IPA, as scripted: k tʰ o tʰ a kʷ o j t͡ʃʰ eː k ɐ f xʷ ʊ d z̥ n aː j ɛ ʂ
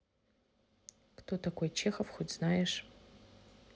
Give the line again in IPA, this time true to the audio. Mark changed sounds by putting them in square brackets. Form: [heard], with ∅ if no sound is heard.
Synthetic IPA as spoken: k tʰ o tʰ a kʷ o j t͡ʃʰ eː [x] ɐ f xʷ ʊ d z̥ n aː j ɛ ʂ